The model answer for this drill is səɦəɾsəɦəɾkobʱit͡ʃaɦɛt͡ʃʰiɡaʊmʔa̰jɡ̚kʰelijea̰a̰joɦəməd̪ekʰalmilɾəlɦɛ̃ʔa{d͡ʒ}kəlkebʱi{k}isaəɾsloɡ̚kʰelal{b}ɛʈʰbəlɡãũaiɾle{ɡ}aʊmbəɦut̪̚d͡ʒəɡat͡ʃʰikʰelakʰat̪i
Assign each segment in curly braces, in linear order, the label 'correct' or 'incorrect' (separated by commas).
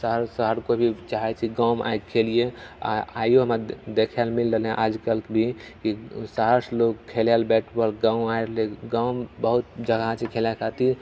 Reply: correct, correct, correct, correct